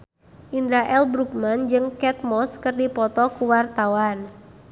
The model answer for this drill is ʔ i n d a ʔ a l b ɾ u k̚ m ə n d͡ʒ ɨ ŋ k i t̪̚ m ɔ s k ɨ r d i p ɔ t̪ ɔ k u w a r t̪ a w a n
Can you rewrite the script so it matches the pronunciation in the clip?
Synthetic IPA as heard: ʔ i n d a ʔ ɛ l b ɾ u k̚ m a n d͡ʒ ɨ ŋ k ɛ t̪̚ m ɔ s k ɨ r d i p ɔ t̪ ɔ k u w a r t̪ a w a n